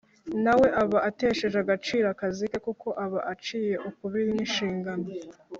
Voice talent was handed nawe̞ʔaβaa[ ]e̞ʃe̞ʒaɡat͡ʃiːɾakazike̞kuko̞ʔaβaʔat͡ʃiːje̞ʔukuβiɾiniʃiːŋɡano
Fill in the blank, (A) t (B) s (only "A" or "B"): A